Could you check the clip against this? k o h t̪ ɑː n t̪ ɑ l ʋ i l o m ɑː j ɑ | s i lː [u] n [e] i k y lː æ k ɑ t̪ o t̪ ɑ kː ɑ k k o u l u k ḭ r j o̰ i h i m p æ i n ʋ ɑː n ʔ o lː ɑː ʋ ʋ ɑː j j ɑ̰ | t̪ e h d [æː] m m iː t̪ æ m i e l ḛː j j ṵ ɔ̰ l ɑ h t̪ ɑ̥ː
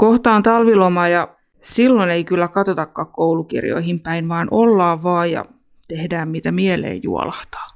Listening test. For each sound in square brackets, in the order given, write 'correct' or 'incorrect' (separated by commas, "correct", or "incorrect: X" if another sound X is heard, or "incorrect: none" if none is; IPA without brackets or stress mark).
incorrect: o, correct, correct